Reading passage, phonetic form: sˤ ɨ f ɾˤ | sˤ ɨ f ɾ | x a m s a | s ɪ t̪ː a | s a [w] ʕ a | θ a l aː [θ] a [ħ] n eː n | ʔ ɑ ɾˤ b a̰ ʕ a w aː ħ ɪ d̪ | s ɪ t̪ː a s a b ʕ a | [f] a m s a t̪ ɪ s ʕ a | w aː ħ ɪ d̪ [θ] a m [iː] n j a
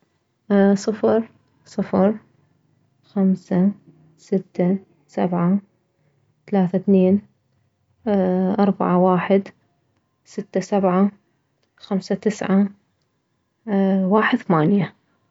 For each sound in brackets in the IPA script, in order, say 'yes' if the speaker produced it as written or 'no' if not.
no, yes, no, no, yes, no

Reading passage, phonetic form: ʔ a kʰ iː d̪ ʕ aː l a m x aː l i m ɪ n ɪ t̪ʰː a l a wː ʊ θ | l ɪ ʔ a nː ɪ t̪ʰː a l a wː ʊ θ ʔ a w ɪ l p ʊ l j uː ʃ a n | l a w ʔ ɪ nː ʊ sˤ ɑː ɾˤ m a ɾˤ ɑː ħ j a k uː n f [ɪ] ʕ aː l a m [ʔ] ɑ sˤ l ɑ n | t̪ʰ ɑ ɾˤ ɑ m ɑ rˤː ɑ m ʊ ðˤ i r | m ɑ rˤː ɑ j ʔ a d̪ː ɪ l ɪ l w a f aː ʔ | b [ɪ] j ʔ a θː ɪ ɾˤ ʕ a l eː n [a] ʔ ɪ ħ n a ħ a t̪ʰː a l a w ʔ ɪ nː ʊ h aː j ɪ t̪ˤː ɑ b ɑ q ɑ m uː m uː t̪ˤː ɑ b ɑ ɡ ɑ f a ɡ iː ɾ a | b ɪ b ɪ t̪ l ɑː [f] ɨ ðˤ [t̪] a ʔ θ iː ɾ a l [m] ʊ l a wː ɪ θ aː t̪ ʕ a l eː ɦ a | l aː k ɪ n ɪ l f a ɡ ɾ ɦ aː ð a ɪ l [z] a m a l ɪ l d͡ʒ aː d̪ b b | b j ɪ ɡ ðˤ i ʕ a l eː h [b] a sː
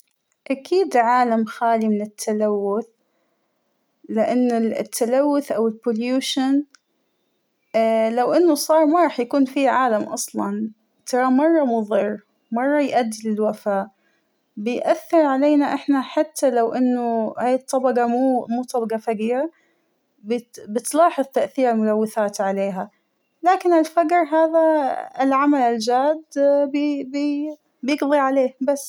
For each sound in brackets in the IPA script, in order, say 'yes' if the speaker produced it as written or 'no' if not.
no, yes, yes, yes, no, yes, yes, no, yes

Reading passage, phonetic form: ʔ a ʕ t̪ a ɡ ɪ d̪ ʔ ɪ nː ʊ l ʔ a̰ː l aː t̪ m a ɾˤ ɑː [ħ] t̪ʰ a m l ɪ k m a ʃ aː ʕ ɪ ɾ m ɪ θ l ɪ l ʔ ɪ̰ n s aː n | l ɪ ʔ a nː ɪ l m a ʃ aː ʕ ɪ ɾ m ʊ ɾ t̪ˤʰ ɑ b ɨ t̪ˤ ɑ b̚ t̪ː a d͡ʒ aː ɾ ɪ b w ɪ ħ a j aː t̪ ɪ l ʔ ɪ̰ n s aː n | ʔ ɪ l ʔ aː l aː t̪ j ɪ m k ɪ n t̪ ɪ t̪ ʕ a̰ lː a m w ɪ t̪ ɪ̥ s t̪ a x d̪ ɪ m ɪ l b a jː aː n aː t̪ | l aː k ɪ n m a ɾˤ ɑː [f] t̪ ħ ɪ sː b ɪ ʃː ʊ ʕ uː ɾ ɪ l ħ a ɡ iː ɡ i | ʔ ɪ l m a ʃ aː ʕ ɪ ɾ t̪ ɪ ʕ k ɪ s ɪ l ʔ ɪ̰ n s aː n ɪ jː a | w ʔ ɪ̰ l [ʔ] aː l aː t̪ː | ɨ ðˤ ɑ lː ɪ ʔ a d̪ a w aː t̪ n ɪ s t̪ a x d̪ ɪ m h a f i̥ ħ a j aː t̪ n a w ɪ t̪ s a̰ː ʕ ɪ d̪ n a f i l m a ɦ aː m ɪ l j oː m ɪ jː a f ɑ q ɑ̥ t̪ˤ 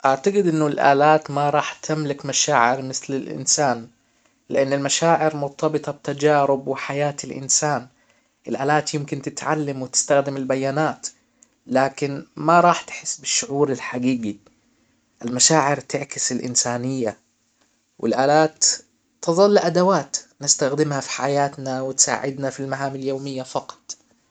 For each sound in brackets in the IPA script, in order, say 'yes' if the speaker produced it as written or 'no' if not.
yes, no, yes

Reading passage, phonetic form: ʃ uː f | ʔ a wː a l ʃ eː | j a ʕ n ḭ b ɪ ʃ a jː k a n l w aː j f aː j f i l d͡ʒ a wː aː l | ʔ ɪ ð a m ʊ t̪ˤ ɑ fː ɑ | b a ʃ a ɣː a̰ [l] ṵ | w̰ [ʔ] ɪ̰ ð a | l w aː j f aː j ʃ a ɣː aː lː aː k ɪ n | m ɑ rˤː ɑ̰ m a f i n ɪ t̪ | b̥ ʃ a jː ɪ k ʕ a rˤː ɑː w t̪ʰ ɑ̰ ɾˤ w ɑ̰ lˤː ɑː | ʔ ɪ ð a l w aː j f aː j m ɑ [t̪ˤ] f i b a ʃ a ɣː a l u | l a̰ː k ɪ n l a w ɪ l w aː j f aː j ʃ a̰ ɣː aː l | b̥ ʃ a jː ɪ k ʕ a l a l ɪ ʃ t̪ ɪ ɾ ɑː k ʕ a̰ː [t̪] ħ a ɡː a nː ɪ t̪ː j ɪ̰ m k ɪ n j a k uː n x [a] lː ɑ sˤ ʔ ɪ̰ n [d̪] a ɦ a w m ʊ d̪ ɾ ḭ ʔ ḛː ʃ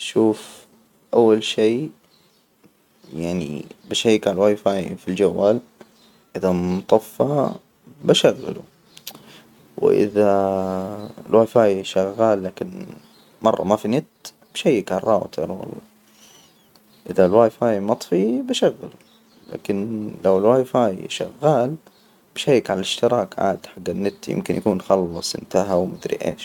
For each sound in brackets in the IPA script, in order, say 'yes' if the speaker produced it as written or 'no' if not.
yes, yes, yes, no, no, no

